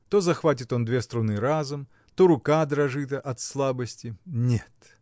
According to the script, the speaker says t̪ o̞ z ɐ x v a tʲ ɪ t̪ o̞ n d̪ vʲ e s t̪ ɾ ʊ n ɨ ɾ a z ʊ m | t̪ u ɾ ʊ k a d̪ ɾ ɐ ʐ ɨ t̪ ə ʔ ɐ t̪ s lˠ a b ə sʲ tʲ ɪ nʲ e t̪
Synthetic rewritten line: t̪ o̞ z ɐ x v a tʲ ɪ t̪ o̞ n d̪ vʲ e s t̪ ɾ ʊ n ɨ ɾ a z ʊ m | t̪ o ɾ ʊ k a d̪ ɾ ɐ ʐ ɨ t̪ ə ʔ ɐ t̪ s lˠ a b ə sʲ tʲ ɪ nʲ e t̪

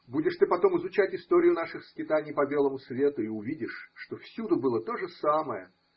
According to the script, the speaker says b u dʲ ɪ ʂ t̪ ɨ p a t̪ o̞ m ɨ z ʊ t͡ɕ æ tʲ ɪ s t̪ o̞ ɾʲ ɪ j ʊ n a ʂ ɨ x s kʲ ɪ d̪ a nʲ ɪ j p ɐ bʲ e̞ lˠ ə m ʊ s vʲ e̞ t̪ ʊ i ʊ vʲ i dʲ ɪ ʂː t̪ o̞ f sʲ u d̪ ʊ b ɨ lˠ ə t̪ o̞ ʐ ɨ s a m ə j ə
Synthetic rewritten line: b u dʲ ɪ ʂ t̪ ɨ p ɐ t̪ o̞ m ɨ z ʊ t͡ɕ æ tʲ ɪ s t̪ o̞ ɾʲ ɪ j ʊ n a ʂ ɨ x s kʲ ɪ t̪ a nʲ ɪ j p ɐ bʲ e̞ lˠ ə m ʊ s vʲ e̞ t̪ ʊ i ʊ vʲ i dʲ ɪ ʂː t̪ o̞ f sʲ u d̪ ʊ b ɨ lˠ ə t̪ o̞ ʐ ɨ s a m ə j ə

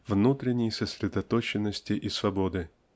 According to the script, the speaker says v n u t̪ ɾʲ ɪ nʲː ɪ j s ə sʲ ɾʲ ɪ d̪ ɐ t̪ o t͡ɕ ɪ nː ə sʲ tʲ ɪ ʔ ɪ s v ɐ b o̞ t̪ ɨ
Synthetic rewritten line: v n u t̪ ɾʲ ɪ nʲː ɪ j s ə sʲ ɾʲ ɪ d̪ ɐ t̪ o t͡ɕ ɪ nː ə sʲ tʲ ɪ ʔ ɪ s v ɐ b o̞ d̪ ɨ

